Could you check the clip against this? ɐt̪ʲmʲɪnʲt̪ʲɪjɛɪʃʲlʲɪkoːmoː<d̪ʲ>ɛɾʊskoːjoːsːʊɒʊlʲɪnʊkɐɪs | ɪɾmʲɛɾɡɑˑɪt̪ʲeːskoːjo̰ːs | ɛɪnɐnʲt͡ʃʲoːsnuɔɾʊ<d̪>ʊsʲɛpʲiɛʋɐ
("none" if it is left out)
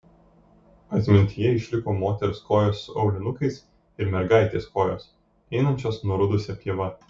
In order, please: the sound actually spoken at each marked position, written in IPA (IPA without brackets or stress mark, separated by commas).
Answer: t̪ʲ, d̪